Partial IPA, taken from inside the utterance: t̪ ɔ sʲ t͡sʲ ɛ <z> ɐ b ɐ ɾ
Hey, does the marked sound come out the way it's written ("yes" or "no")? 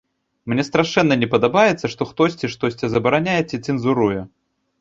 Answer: yes